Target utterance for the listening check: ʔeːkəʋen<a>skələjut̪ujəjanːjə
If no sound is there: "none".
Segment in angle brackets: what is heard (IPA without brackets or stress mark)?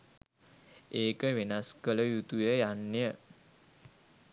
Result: a